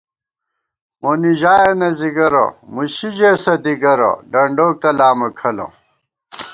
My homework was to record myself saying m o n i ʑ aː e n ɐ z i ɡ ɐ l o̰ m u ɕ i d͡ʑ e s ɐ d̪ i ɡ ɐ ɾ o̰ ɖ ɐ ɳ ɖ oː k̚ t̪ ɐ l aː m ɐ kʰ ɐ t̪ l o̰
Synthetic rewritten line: m o n i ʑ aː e n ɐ z i ɡ ɐ ɾ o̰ m u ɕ i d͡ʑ e s ɐ d̪ i ɡ ɐ ɾ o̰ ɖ ɐ ɳ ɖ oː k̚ t̪ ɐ l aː m ɐ kʰ ɐ l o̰